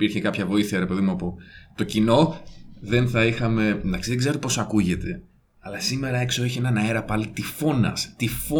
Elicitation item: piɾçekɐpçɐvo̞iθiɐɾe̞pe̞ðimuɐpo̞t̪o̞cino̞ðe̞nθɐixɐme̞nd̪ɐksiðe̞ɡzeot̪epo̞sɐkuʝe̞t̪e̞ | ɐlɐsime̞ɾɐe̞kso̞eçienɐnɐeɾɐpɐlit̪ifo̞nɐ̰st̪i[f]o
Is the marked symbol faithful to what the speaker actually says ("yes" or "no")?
yes